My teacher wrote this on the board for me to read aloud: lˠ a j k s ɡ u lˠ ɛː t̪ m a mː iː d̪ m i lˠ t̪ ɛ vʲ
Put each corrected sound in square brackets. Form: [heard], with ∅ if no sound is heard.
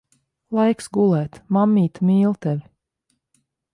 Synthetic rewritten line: lˠ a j k s ɡ u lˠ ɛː t̪ m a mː iː [t̪] m [iː] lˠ t̪ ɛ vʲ